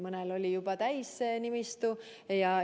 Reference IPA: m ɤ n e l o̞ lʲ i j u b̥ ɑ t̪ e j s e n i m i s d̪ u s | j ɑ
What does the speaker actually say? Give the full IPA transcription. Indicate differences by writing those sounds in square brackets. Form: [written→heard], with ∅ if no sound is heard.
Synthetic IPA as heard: m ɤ n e l o̞ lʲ i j u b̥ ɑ t̪ [e→æ] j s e n i m i s [d̪→t̪] u [s→∅] | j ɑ